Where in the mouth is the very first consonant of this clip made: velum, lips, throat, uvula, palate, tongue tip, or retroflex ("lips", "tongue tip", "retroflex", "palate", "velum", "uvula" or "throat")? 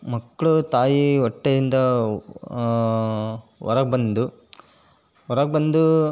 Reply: lips